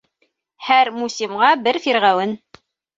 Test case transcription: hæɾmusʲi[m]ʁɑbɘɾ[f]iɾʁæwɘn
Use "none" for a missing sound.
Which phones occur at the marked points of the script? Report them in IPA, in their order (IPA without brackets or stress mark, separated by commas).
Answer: m, f